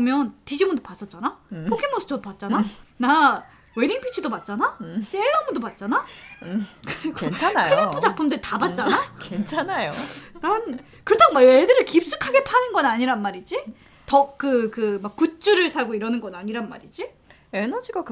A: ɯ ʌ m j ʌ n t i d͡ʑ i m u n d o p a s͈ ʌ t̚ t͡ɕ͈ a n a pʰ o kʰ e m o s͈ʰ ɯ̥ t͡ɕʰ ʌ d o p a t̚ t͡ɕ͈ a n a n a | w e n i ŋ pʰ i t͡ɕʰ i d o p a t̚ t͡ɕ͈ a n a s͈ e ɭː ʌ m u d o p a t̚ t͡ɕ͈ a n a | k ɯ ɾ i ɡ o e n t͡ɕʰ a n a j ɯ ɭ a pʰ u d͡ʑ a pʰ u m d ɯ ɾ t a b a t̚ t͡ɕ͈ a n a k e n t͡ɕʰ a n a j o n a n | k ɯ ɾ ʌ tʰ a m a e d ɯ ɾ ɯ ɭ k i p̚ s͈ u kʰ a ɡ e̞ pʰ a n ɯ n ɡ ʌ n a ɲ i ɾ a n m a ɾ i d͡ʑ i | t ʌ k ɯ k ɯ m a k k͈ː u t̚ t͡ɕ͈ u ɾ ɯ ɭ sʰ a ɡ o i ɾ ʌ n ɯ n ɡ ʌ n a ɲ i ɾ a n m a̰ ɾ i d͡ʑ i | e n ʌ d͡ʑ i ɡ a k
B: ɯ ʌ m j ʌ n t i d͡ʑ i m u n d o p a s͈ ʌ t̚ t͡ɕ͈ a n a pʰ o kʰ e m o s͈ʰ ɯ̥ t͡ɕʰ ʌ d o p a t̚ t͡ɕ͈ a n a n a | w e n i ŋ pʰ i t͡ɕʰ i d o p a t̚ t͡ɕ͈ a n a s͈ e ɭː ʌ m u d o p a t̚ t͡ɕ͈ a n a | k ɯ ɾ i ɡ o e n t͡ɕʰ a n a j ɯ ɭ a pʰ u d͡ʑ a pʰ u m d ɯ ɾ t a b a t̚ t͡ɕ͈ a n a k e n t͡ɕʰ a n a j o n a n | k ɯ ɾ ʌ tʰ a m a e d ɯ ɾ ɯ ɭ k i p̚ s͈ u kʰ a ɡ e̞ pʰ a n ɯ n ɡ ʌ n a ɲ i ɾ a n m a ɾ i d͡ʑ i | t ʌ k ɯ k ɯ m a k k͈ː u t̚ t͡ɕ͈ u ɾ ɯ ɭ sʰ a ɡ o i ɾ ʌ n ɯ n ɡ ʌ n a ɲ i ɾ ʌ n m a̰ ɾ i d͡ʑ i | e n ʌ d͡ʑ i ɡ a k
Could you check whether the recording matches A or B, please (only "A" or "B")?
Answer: A